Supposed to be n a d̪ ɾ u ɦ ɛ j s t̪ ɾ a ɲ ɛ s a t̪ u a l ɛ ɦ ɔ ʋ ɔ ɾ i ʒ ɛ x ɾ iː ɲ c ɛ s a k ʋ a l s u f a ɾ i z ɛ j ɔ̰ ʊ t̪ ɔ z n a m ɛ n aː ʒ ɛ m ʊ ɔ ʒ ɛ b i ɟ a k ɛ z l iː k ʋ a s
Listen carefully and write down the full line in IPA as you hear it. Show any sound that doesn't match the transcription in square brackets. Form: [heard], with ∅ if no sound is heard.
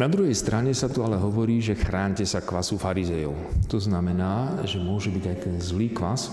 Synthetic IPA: n a d̪ ɾ u ɦ ɛ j s t̪ ɾ a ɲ ɛ s a t̪ u a l ɛ ɦ ɔ ʋ ɔ ɾ [iː] ʒ ɛ x ɾ [aː] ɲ c ɛ s a k ʋ a [∅] s u f a ɾ i z ɛ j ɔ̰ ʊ t̪ ɔ z n a m ɛ n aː ʒ ɛ m ʊ ɔ ʒ ɛ b i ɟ a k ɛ z l iː k ʋ a s